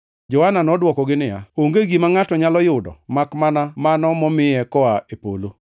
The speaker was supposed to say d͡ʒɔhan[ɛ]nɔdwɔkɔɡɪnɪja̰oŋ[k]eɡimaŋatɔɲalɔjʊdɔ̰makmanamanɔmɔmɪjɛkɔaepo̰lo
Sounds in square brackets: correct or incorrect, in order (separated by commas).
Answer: incorrect, incorrect